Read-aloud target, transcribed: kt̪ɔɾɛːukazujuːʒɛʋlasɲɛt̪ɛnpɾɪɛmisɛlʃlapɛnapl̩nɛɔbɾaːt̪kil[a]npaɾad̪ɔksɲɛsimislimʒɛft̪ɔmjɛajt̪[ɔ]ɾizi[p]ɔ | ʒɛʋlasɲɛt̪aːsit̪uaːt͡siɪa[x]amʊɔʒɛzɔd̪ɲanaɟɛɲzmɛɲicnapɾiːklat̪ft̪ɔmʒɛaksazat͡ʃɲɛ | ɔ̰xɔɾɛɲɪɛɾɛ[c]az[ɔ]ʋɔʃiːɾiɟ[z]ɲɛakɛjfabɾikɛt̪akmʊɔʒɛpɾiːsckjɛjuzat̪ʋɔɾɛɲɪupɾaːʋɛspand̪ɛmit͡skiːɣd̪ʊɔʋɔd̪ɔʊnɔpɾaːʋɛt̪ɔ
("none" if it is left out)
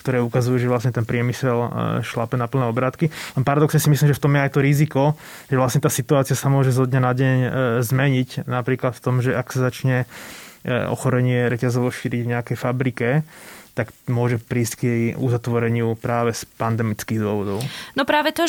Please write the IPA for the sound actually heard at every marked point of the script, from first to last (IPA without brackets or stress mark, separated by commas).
ɛ, ɔ, k, s, c, ɔ, v